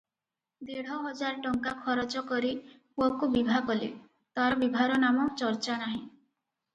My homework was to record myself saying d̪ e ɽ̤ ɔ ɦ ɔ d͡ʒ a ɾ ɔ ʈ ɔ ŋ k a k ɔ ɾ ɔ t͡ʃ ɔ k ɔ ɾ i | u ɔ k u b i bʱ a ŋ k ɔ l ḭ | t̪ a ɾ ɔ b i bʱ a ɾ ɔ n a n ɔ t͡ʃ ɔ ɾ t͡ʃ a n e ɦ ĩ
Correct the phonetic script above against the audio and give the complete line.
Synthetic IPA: d̪ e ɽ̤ ɔ ɦ ɔ d͡ʒ a ɾ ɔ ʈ ɔ ŋ k a kʰ ɔ ɾ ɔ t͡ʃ ɔ k ɔ ɾ i | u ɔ k u b i bʱ a k ɔ l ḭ | t̪ a ɾ ɔ b i bʱ a ɾ ɔ n a m ɔ t͡ʃ ɔ ɾ t͡ʃ a n a ɦ ĩ